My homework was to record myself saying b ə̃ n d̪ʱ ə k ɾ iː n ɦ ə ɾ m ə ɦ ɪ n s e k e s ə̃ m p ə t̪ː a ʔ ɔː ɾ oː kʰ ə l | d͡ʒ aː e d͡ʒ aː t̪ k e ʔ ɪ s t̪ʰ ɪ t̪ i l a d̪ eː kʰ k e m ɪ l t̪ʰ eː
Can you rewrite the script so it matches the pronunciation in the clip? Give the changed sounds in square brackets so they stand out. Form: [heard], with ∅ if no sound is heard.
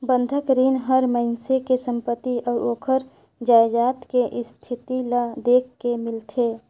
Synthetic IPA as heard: b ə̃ n d̪ʱ ə k ɾ iː n ɦ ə ɾ m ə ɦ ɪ n s e k e s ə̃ m p ə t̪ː [i] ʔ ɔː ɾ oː kʰ ə [ɾ] | d͡ʒ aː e d͡ʒ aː t̪ k e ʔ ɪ s t̪ʰ ɪ t̪ i l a d̪ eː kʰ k e m ɪ l t̪ʰ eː